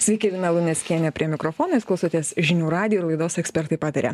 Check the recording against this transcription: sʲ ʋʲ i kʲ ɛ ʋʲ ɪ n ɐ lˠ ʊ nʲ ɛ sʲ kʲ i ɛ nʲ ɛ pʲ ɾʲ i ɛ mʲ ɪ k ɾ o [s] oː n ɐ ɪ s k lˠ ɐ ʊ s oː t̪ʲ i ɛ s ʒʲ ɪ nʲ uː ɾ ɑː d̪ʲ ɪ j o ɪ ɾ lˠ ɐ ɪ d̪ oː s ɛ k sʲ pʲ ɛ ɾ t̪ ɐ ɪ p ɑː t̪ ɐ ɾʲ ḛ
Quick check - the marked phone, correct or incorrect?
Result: incorrect